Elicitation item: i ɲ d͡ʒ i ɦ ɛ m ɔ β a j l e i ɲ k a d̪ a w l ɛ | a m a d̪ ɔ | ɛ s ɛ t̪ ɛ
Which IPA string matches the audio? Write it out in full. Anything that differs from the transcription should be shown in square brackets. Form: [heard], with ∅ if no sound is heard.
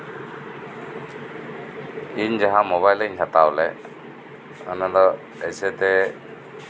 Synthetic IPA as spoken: i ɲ d͡ʒ [a] ɦ [a] m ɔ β a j l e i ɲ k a [t̪] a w l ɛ | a [n] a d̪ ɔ | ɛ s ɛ t̪ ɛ